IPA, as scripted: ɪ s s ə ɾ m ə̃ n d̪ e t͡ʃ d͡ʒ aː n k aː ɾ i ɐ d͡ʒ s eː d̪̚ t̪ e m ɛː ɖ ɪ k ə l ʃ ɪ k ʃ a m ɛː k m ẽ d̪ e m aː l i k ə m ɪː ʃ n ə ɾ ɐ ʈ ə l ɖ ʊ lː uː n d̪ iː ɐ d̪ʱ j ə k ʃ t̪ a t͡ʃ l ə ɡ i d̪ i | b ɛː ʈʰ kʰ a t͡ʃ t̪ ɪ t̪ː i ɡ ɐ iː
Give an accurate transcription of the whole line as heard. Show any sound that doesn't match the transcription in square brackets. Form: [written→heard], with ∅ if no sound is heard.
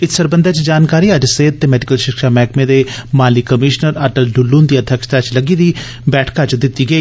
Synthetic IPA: ɪ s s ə ɾ [m→b] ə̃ n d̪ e t͡ʃ d͡ʒ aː n k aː ɾ i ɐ d͡ʒ s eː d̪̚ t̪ e m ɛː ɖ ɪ k ə l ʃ ɪ k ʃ a m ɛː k m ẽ d̪ e m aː l i k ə m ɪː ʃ n ə ɾ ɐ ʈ ə l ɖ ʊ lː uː n d̪ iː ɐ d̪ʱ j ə k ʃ t̪ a t͡ʃ l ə ɡ i d̪ i | b ɛː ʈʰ [kʰ→k] a t͡ʃ [t̪→d̪] ɪ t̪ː i ɡ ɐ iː